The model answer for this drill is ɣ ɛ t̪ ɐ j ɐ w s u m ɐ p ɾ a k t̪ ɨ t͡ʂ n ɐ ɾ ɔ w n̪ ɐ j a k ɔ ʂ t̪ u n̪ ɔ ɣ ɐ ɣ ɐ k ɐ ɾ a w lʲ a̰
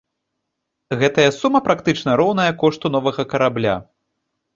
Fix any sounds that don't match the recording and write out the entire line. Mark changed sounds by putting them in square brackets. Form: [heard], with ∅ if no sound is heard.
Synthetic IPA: ɣ ɛ t̪ ɐ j ɐ [∅] s u m ɐ p ɾ a k t̪ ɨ t͡ʂ n ɐ ɾ ɔ w n̪ ɐ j [ɐ] k ɔ ʂ t̪ u n̪ ɔ [v] ɐ ɣ ɐ k ɐ ɾ a [b] lʲ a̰